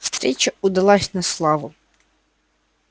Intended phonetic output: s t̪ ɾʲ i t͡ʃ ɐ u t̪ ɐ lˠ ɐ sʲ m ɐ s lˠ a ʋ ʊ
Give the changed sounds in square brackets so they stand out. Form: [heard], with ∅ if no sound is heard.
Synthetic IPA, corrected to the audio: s t̪ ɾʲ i t͡ʃ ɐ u [d̪] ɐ lˠ [ɑ] sʲ [n] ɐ s lˠ [ɑ] ʋ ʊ